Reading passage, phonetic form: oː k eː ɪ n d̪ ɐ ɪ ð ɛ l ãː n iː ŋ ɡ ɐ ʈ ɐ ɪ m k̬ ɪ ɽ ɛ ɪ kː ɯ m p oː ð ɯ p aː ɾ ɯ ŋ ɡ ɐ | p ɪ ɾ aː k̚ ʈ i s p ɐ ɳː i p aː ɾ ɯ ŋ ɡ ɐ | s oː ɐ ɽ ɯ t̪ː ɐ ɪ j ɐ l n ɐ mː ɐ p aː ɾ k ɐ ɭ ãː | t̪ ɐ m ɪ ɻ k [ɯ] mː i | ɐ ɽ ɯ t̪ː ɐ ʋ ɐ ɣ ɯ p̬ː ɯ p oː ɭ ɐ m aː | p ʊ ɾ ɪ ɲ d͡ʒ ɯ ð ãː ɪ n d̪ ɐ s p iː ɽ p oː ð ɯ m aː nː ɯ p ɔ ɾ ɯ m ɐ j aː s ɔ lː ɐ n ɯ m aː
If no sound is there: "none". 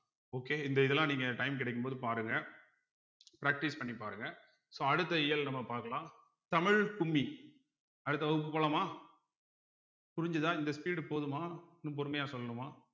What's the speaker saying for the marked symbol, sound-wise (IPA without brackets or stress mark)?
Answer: ʊ